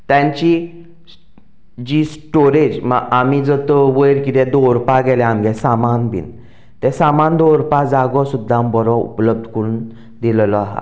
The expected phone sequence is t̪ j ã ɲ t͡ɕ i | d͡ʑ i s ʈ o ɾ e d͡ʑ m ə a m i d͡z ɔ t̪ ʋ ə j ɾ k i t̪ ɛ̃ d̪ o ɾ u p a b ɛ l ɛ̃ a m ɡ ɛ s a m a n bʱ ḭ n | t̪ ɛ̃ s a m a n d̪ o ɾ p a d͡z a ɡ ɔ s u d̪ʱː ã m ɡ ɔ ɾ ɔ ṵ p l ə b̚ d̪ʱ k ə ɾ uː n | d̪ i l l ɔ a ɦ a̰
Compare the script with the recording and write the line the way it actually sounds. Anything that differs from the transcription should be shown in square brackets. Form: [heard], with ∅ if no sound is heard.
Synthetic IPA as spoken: t̪ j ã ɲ t͡ɕ i | d͡ʑ i s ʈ o ɾ e d͡ʑ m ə a m i d͡z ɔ t̪ ʋ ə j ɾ k i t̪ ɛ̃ d̪ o ɾ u p a [ɡ] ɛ l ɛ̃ a m ɡ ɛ s a m a n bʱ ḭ n | t̪ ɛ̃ s a m a n d̪ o ɾ p a d͡z a ɡ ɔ s u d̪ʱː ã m [b] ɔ ɾ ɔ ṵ p l ə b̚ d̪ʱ k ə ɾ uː n | d̪ i l l ɔ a ɦ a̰